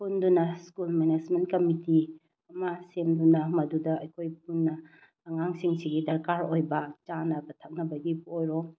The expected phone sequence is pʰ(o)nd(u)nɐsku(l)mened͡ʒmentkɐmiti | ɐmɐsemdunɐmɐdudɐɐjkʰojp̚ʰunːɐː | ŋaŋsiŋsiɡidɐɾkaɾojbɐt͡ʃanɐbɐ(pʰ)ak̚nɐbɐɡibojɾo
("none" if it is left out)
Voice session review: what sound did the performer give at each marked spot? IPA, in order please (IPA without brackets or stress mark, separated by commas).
u, u, l, tʰ